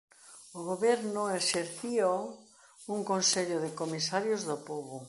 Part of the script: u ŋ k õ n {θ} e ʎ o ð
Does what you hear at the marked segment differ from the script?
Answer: yes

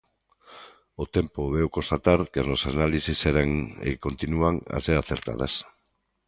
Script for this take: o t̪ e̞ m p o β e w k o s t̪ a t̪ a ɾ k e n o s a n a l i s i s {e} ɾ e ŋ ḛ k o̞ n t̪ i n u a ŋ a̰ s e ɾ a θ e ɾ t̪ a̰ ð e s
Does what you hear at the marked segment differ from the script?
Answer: no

